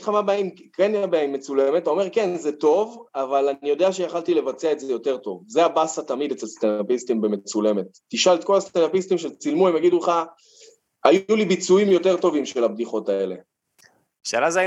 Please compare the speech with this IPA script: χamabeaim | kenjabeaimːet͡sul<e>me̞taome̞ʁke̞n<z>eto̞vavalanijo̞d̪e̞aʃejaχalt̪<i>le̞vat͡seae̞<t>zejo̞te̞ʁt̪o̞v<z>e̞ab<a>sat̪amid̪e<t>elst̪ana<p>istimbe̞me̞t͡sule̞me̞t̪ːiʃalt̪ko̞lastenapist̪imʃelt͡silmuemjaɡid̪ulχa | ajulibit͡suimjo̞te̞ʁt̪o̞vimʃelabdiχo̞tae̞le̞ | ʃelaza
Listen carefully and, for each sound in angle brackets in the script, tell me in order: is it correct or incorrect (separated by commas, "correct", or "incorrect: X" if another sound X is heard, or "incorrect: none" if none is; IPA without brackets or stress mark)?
correct, correct, correct, correct, correct, correct, incorrect: t͡s, correct